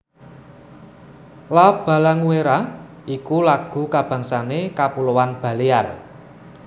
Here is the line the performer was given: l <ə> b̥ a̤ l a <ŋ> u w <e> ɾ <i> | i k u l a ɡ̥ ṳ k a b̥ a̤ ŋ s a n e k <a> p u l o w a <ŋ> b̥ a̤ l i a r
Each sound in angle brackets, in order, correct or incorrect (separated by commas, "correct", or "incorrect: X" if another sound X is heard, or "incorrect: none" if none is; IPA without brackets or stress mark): incorrect: a, correct, correct, incorrect: a, correct, incorrect: n